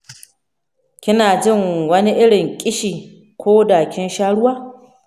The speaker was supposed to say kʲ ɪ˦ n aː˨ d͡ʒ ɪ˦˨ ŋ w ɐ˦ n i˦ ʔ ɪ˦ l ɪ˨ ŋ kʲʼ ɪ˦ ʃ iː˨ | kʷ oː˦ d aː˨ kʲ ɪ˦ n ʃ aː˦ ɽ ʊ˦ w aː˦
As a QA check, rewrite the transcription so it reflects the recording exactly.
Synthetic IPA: kʲ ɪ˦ n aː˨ d͡ʒ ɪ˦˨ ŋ w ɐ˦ n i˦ ʔ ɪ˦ ɽ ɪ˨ ŋ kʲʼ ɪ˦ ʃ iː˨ | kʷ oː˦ d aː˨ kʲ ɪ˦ n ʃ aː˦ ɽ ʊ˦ w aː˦